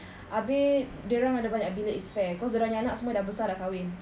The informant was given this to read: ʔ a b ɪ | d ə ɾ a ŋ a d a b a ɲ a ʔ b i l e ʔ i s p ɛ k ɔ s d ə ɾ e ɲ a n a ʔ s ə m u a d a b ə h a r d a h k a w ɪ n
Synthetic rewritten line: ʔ a b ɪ | d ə ɾ a ŋ a d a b a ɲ a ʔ b i l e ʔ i s p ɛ k ɔ s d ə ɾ a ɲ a n a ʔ s ə m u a d a b ə s a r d a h k a w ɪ n